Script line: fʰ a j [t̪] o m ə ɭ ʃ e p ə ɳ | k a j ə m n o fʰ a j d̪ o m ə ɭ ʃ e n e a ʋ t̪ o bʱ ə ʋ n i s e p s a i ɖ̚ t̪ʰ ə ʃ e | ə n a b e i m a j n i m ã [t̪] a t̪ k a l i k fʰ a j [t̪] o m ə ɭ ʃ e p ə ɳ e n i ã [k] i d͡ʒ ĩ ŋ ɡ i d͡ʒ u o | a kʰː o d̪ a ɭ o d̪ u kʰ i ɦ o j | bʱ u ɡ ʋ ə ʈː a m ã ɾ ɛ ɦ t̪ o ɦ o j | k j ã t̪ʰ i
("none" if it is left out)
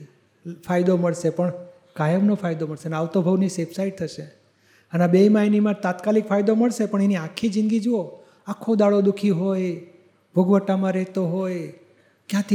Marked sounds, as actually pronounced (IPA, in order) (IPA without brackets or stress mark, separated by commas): d̪, t̪, d̪, kʰ